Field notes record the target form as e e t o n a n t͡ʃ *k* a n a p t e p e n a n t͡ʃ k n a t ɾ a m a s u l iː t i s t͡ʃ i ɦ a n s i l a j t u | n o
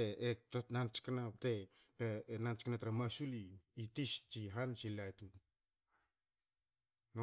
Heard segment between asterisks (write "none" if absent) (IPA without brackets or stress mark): k